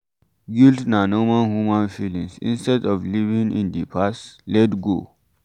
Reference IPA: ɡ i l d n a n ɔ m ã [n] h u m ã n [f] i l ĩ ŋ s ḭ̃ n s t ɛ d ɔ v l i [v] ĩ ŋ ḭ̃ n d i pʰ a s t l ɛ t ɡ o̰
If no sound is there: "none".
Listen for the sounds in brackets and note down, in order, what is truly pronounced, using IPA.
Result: n, f, v

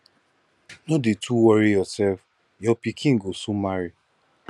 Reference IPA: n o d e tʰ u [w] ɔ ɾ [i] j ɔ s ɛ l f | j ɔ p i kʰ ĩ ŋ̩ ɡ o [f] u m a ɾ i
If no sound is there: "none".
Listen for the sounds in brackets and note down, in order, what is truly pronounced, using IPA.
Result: w, i, s

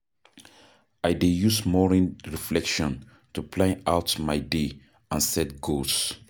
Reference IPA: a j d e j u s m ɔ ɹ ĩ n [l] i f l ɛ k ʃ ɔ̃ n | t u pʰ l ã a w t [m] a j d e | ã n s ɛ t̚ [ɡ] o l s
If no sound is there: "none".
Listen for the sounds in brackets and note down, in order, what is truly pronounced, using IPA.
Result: ɹ, m, ɡ

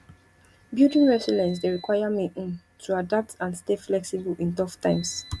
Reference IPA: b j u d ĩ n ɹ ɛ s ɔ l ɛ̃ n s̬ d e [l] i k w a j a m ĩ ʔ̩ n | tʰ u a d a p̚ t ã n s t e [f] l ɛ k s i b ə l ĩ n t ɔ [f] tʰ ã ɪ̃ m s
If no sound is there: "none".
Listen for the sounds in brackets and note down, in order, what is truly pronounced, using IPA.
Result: ɹ, f, f

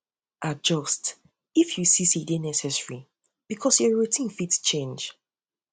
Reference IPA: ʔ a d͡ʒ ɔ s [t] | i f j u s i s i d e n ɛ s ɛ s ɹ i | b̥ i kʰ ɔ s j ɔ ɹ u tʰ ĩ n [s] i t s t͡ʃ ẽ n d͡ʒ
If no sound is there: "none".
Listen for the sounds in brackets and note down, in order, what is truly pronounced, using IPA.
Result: t, f

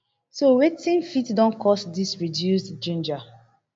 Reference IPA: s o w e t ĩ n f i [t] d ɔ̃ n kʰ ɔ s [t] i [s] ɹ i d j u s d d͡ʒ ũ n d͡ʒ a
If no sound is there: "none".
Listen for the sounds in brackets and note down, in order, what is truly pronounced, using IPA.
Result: t, d, s

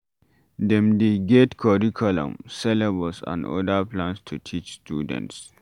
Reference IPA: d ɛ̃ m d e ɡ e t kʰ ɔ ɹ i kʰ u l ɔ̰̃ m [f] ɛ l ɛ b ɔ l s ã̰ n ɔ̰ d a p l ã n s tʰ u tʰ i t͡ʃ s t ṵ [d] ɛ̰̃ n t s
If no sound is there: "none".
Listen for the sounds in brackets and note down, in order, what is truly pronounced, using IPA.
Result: s, d

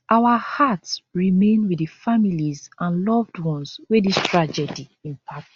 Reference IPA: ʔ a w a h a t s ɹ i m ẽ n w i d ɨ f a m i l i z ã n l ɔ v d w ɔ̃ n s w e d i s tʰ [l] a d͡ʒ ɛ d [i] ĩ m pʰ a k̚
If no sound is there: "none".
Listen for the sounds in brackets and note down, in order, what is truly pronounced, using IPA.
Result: ɹ, i

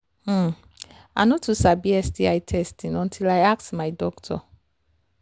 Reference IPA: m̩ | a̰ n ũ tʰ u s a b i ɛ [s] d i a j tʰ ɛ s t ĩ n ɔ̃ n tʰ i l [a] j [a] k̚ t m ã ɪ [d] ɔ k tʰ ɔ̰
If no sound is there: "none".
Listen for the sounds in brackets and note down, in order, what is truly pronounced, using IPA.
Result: s, a, a, d

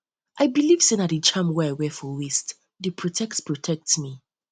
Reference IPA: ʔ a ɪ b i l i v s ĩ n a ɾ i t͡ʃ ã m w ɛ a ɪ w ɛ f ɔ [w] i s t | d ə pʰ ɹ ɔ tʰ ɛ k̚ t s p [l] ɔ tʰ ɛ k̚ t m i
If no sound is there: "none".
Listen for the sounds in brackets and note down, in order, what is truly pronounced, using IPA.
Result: w, ɹ

